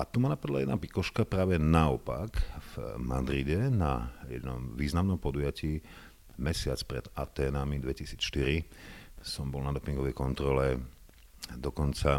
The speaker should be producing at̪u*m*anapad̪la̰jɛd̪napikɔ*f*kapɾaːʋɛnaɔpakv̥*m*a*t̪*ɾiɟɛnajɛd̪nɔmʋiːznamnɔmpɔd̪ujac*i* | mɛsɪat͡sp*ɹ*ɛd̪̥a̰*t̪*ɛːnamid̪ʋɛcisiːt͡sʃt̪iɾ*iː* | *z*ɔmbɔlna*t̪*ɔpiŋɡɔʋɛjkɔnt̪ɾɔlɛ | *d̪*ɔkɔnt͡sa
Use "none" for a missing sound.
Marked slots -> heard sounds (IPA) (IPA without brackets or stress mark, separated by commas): m, ʃ, m, d̪, iː, ɾ, t̪, i, s, d̪, d̪